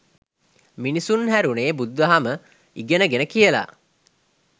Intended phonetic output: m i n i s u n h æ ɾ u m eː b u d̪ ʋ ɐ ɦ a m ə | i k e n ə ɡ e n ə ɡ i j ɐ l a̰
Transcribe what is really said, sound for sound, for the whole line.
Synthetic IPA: m i n i s u n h æ ɾ u n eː b u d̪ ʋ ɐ ɦ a m ə | i ɡ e n ə ɡ e n ə k i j ə l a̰